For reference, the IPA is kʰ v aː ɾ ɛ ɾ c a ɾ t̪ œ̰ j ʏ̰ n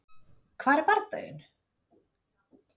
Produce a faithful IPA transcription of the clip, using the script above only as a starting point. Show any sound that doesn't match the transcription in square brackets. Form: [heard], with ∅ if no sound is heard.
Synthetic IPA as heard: kʰ v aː ɾ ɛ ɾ [p] a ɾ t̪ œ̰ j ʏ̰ n